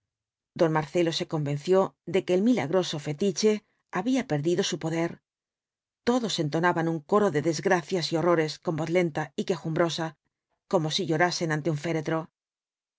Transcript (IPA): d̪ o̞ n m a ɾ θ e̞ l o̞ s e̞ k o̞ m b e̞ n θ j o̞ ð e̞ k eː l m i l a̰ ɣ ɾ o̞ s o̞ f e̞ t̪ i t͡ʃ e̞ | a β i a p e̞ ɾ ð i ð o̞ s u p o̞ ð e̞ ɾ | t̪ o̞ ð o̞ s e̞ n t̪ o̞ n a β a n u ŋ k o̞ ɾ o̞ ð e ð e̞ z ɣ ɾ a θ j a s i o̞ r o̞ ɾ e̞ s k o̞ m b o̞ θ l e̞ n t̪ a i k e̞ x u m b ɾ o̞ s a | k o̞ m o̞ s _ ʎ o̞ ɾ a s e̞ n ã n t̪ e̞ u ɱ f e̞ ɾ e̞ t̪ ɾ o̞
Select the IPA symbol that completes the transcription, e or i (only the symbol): i